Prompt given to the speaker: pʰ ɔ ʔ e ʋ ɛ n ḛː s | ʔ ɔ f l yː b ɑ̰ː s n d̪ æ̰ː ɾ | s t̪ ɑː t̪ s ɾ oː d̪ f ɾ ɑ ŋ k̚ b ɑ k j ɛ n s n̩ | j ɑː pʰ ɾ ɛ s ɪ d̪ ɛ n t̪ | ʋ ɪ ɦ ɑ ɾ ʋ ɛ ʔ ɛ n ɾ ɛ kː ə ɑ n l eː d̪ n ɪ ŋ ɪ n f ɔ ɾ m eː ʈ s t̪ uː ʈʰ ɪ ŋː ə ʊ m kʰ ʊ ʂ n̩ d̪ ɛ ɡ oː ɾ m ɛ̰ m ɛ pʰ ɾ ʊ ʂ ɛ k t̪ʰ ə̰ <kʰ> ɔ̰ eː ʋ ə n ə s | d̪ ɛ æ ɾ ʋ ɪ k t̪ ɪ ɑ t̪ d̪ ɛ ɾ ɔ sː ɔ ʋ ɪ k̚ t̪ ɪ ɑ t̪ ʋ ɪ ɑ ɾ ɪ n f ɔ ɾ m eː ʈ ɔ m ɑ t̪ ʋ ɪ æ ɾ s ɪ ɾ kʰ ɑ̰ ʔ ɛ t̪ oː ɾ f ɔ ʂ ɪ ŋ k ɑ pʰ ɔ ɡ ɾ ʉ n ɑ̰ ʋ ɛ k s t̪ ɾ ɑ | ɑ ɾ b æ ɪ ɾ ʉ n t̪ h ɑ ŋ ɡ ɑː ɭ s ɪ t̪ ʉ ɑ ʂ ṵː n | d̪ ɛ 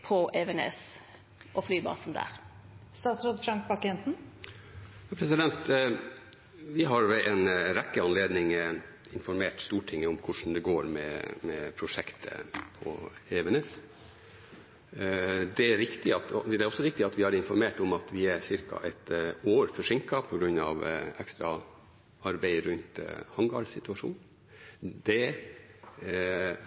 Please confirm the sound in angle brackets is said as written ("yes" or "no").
no